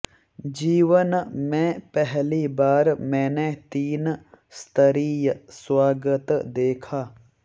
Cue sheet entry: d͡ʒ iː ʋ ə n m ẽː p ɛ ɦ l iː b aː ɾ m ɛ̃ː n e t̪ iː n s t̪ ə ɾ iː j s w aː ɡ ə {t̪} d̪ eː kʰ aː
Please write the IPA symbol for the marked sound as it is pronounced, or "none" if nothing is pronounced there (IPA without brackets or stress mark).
t̪